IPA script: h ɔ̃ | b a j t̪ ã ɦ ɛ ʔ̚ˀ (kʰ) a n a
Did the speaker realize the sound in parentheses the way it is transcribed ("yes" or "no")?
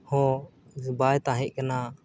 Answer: no